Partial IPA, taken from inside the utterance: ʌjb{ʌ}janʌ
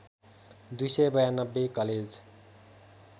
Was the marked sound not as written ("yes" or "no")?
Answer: no